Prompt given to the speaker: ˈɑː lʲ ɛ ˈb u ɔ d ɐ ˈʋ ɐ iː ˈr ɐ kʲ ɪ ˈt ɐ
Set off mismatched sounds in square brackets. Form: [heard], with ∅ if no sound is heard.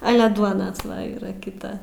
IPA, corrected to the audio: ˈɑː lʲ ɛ [ˈd] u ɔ [n] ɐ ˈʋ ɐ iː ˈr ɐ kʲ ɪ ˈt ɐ